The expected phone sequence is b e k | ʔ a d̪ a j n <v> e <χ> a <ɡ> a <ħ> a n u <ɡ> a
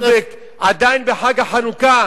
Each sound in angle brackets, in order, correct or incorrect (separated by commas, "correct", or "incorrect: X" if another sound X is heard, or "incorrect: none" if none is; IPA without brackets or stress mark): incorrect: b, incorrect: ħ, correct, correct, incorrect: k